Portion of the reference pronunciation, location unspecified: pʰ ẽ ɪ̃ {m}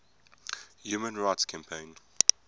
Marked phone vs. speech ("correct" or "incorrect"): incorrect